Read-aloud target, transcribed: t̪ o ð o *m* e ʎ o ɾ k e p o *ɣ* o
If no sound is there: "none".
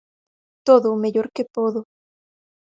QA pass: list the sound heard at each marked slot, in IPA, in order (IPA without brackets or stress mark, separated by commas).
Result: m, ð